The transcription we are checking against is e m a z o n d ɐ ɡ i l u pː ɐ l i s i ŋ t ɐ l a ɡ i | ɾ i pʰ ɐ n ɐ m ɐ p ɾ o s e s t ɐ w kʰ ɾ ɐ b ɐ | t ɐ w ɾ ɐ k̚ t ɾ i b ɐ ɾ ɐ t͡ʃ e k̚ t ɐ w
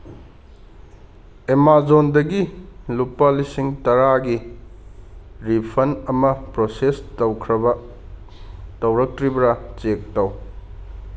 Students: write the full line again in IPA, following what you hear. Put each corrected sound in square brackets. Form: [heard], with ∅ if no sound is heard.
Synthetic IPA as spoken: e m a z o n d ɐ ɡ i l u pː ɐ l i s i ŋ t ɐ [ɾ] a ɡ i | ɾ i pʰ ɐ n ɐ m ɐ p ɾ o s e s t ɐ w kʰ ɾ ɐ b ɐ | t ɐ w ɾ ɐ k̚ t ɾ i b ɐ ɾ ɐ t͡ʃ e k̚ t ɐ w